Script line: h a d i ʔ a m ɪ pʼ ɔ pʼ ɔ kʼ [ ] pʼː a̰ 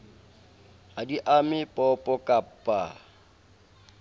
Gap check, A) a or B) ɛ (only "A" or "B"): A